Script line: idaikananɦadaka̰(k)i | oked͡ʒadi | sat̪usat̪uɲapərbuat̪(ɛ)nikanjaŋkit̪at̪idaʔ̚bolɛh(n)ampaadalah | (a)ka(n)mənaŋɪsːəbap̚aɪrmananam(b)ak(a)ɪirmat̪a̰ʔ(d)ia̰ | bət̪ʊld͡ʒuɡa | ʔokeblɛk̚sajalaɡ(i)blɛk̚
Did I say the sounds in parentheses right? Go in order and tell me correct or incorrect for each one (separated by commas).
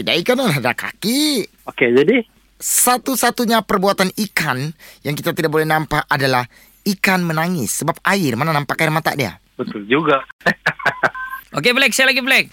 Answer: correct, incorrect, correct, incorrect, correct, incorrect, correct, correct, correct